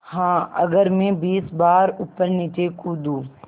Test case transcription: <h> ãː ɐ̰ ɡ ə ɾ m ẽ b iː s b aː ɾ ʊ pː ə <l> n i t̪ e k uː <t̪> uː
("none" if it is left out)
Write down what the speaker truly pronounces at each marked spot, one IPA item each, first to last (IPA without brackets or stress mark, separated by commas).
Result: h, ɾ, d̪